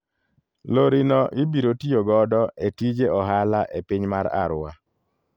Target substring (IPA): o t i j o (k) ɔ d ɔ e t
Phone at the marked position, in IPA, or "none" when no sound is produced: ɡ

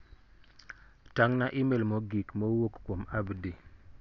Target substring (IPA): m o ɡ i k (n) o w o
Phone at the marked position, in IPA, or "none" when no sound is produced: m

